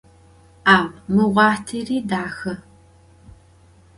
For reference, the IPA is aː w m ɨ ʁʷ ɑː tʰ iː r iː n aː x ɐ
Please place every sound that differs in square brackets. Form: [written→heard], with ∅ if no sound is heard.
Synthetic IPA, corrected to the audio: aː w m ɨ ʁʷ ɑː tʰ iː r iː [n→d] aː x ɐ